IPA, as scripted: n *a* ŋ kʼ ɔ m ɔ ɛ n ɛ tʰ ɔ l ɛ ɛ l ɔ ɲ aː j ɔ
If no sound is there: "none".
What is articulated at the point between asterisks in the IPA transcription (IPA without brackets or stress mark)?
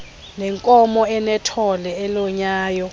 ɛ